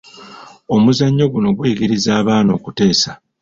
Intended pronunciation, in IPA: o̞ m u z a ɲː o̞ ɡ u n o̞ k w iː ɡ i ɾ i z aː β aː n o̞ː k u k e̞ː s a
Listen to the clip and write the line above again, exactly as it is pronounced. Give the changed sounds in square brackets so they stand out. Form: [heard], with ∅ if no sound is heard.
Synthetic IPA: o̞ m u z a ɲː o̞ ɡ u n o̞ [ɡ] w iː ɡ i ɾ i z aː β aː n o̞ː k u [t] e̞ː s a

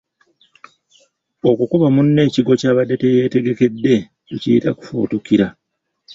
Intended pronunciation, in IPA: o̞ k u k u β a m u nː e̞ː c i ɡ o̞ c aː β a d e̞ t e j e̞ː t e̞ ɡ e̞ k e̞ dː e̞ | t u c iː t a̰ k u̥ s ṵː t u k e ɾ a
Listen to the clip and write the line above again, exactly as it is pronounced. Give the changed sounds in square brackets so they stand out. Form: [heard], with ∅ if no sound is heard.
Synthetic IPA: o̞ k u k u β a m u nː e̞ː c i ɡ o̞ c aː β a d e̞ t e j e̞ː t e̞ ɡ e̞ k e̞ dː e̞ | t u c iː t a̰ k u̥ [f] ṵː t u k [i] ɾ a

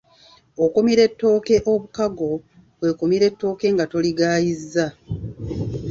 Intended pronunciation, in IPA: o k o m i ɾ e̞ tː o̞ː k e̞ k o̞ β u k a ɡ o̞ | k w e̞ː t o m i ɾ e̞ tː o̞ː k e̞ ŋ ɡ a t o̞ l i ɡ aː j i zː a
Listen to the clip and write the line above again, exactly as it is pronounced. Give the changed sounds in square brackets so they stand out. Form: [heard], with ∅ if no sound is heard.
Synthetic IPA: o k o m i ɾ e̞ tː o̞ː k e̞ [ʔ] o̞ β u k a ɡ o̞ | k w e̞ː [k] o m i ɾ e̞ tː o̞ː k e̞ ŋ ɡ a t o̞ l i ɡ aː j i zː a

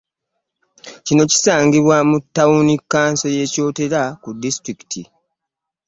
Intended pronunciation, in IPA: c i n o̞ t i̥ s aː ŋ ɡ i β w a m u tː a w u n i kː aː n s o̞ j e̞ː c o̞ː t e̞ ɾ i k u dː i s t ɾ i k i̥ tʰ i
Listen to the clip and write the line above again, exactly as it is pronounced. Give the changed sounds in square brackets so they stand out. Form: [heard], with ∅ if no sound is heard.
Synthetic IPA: c i n o̞ [c] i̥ s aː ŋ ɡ i β w a m u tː a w u n i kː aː n s o̞ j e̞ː c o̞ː t e̞ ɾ [a] k u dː i s t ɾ i k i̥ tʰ i

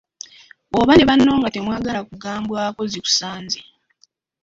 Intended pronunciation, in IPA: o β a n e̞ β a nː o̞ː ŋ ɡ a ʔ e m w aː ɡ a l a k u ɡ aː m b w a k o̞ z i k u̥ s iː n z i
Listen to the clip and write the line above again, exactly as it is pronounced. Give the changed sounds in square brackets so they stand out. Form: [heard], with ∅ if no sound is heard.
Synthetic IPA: o β a n e̞ β a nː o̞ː ŋ ɡ a [t] e m w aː ɡ a l a k u ɡ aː m b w a k o̞ z i k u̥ s [aː] n z i

